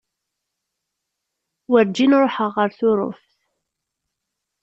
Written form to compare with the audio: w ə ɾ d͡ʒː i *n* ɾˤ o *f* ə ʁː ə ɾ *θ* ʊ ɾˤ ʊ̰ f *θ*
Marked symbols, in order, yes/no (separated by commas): yes, no, yes, yes